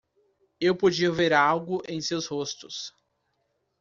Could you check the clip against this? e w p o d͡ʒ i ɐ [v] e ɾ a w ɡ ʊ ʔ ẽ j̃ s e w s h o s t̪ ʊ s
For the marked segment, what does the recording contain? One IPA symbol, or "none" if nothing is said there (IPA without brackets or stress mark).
v